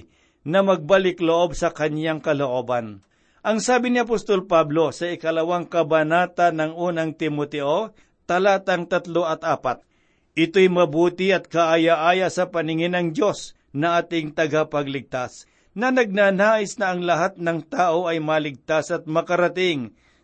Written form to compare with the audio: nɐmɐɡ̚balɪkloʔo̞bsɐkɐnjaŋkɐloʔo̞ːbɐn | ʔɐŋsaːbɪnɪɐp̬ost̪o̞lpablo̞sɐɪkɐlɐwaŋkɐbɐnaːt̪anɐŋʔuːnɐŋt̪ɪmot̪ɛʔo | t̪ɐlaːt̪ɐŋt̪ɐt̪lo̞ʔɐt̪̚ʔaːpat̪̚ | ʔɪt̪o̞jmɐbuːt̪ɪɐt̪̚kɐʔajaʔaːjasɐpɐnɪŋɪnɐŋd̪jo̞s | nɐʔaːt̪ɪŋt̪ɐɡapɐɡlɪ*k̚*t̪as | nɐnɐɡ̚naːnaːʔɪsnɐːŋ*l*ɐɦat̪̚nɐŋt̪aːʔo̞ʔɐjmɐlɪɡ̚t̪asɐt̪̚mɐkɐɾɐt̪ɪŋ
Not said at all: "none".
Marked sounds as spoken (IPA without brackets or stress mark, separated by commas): ɡ̚, l